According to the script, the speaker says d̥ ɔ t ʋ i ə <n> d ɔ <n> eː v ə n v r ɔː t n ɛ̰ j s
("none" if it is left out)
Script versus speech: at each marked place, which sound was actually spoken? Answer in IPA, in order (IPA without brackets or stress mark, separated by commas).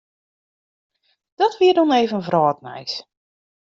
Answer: none, n